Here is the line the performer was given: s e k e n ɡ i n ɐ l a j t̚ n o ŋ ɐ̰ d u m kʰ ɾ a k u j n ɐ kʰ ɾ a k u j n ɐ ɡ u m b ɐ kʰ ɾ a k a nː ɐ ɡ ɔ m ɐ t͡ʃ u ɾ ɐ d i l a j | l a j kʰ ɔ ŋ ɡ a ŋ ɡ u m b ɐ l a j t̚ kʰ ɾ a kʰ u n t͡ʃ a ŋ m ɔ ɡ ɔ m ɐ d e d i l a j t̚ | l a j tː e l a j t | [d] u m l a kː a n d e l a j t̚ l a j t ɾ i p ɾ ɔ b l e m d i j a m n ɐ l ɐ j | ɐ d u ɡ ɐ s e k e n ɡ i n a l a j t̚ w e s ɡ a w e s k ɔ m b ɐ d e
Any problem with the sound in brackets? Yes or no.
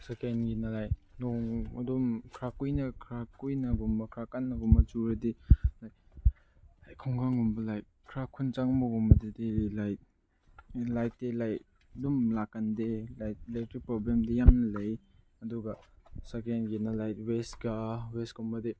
no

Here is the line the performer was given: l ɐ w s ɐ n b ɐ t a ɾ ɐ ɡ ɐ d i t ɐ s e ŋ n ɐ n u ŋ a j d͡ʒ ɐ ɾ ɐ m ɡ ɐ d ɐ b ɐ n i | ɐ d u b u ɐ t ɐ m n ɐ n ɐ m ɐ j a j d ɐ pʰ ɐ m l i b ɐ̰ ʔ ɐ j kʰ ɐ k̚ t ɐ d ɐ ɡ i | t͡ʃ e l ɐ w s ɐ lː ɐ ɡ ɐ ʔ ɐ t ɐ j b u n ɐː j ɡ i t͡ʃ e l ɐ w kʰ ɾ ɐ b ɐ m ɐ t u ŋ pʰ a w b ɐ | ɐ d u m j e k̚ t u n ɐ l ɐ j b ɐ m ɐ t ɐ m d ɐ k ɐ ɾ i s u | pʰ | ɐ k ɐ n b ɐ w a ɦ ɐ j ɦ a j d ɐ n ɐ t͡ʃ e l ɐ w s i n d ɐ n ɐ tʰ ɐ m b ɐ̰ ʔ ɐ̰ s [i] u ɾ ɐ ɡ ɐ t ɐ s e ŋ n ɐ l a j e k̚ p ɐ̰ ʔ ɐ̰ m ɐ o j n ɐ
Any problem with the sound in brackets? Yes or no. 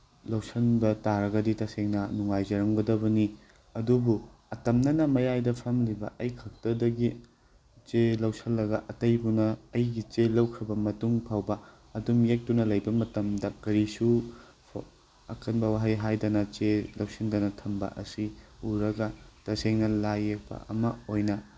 no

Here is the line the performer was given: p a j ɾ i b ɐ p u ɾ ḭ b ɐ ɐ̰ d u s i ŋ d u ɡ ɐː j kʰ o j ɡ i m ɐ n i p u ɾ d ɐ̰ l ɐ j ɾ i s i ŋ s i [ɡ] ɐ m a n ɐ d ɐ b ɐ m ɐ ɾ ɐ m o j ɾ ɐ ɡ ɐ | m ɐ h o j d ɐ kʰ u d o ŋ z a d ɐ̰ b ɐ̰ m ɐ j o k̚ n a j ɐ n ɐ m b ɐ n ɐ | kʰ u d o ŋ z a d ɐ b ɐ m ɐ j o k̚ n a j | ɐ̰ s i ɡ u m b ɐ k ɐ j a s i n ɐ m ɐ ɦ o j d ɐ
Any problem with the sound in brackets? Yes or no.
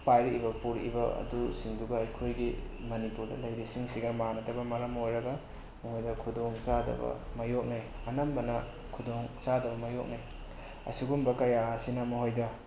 no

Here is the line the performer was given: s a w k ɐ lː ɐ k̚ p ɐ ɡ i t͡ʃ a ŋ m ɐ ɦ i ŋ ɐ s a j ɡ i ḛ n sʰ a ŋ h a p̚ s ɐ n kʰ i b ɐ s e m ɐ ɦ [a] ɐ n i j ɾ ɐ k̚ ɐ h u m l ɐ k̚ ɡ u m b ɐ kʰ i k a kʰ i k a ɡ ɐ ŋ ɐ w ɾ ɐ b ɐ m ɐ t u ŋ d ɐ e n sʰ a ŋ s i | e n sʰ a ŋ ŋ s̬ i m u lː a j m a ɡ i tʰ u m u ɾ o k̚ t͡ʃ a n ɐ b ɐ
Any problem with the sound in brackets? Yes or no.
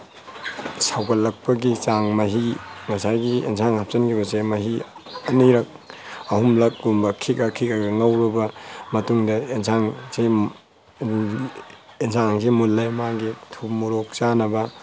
yes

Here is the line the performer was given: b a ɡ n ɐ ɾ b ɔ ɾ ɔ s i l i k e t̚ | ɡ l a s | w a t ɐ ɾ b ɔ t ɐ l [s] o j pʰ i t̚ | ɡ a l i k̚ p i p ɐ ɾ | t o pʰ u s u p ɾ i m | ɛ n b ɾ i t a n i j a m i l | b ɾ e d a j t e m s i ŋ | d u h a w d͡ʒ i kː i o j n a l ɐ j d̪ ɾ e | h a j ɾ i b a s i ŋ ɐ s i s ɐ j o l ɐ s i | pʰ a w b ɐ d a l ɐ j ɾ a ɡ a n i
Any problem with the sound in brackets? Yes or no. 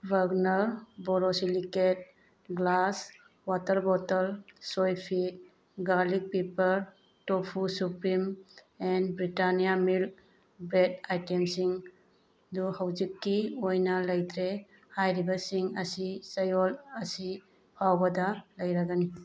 no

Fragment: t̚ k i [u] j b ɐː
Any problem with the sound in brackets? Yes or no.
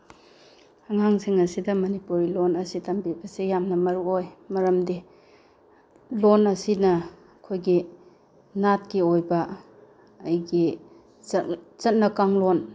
yes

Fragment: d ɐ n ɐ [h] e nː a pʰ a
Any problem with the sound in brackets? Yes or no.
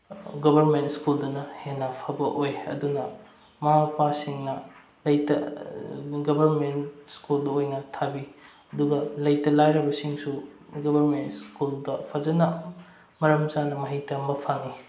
no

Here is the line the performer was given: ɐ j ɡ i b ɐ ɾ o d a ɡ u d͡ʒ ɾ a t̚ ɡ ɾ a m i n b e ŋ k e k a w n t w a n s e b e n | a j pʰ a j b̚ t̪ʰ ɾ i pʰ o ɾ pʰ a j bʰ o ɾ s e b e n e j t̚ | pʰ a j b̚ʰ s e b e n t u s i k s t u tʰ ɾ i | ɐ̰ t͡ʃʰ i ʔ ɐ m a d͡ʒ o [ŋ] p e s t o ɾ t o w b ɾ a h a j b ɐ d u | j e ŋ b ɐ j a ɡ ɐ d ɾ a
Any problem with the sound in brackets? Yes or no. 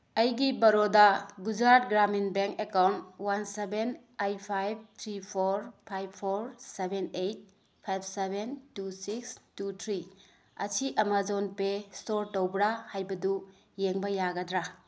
yes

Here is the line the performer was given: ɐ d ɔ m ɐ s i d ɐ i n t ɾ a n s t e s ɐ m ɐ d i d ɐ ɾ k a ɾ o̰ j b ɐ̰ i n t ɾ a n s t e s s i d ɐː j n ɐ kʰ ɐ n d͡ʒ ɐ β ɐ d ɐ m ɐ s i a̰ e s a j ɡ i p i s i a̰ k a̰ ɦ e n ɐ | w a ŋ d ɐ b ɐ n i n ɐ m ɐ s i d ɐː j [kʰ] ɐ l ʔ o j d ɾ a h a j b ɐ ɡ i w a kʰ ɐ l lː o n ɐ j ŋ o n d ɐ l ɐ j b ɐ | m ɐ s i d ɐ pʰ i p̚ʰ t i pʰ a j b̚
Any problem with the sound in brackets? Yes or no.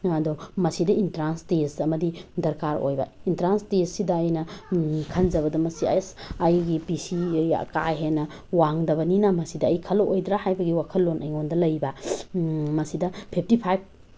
no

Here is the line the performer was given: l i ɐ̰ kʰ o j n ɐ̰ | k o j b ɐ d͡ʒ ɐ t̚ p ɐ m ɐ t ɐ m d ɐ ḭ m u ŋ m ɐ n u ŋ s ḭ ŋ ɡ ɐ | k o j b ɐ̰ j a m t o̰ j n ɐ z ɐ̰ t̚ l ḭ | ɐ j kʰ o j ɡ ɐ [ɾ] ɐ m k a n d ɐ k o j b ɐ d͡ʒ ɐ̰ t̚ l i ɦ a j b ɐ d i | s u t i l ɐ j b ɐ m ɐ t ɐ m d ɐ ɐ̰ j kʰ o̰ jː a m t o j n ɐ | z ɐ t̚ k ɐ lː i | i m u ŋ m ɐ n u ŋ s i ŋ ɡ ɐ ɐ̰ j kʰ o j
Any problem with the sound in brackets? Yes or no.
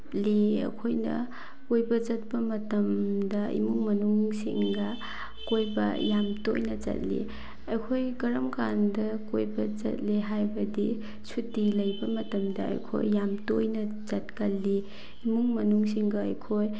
no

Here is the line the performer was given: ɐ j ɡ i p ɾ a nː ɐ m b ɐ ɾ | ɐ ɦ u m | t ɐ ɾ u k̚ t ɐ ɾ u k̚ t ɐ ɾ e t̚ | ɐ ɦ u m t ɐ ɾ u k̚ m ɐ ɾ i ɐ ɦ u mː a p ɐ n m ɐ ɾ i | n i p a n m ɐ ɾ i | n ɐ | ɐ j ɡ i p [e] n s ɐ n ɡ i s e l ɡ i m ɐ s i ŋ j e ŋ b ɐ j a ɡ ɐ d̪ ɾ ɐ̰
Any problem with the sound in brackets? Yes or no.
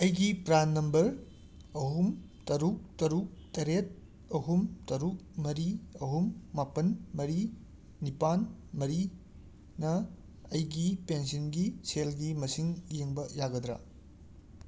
no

